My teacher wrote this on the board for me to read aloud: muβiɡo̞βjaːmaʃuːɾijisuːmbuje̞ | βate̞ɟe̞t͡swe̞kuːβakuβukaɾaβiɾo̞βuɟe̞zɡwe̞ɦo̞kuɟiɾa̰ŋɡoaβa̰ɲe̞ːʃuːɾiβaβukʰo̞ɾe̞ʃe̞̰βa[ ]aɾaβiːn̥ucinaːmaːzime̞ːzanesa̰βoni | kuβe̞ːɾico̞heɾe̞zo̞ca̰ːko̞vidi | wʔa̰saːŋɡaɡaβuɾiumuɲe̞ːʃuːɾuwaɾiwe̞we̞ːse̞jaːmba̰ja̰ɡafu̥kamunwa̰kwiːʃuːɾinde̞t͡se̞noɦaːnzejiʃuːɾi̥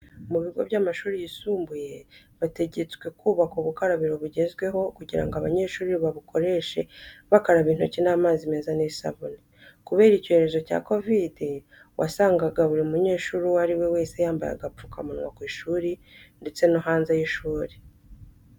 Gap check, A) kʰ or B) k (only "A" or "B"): B